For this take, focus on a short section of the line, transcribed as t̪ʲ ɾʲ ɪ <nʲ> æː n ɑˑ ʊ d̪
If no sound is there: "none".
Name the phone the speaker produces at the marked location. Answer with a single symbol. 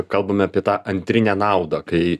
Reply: nʲ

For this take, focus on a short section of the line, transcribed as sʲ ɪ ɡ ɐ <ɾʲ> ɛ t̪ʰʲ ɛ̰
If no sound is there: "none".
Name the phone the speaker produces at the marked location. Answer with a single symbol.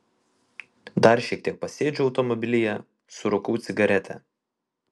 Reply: ɾʲ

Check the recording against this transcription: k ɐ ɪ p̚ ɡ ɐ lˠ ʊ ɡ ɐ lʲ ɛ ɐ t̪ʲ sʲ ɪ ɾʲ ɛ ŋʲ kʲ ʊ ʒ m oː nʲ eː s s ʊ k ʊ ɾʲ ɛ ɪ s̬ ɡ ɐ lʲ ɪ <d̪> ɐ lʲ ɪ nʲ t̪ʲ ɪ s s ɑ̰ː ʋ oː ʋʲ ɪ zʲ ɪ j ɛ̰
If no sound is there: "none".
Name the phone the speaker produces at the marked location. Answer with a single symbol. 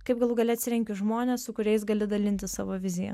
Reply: d̪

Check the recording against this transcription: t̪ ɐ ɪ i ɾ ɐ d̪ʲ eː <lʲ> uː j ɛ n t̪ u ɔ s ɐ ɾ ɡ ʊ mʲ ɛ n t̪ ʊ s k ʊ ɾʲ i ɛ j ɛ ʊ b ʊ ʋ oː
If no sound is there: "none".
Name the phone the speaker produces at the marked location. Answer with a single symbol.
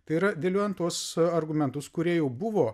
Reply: lʲ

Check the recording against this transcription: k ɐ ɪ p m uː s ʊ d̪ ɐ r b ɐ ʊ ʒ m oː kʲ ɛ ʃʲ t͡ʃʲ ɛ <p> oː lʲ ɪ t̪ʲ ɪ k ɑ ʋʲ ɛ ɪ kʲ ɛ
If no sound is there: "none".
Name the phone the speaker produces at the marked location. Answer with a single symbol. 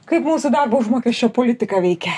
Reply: p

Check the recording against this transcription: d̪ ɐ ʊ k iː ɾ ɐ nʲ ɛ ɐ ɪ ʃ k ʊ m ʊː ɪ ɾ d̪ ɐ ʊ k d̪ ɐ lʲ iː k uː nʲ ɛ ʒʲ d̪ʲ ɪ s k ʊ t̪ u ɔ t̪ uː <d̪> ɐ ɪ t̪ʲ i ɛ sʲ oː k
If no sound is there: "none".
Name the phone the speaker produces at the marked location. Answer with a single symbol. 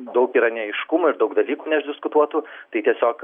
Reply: t̪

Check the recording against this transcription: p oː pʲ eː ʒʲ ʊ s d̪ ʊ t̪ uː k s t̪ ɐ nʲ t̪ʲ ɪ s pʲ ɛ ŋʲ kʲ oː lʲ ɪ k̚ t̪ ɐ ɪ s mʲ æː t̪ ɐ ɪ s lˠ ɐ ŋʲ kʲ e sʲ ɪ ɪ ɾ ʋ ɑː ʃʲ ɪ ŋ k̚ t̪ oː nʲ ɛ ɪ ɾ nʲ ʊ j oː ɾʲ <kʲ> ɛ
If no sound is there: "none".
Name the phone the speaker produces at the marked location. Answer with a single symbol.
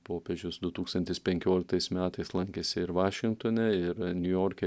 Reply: kʲ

